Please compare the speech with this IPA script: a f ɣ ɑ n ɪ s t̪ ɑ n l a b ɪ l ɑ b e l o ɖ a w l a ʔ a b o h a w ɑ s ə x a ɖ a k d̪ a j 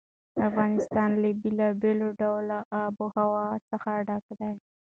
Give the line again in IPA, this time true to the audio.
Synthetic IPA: a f ɣ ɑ n ɪ s t̪ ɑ n l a b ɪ l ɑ b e l o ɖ a w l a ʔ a b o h a w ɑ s ə x a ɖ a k d̪ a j